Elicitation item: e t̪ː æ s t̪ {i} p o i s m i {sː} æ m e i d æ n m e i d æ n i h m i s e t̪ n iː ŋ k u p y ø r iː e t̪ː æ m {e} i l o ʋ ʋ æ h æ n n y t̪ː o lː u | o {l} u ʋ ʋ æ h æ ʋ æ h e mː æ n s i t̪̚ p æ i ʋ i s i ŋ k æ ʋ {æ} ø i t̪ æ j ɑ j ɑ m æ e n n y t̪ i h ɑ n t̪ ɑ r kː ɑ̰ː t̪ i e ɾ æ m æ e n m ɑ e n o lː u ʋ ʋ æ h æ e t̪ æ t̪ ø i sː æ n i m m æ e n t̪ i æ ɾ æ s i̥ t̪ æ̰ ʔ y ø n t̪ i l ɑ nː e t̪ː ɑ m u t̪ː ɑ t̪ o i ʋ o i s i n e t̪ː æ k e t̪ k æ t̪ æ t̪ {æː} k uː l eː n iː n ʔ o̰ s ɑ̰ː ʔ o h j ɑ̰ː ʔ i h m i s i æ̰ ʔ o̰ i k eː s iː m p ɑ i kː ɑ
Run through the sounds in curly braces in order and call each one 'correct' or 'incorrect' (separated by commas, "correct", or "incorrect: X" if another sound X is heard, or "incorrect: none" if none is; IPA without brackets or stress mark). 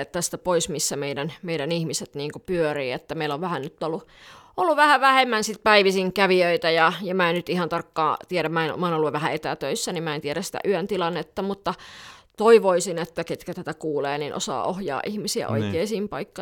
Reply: incorrect: æ, correct, correct, incorrect: lː, incorrect: i, incorrect: æ